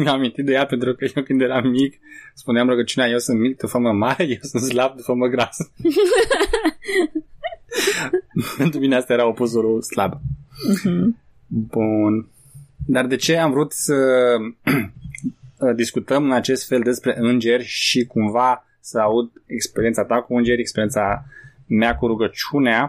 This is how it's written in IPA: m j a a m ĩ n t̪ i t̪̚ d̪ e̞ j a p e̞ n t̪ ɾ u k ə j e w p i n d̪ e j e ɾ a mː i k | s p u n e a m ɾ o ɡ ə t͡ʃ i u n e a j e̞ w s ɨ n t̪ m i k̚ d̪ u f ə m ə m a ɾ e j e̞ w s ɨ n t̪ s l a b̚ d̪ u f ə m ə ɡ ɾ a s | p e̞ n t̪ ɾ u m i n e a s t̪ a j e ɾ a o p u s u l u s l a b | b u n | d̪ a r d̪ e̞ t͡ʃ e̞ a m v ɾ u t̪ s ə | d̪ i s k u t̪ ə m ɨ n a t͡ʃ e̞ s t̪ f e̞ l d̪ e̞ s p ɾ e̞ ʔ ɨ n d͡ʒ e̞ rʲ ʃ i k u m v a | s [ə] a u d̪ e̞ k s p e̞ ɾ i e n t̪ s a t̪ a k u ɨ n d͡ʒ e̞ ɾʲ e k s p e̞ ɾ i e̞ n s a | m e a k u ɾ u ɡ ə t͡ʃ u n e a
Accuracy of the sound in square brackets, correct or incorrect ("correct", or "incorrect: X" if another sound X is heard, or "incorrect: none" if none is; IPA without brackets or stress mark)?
correct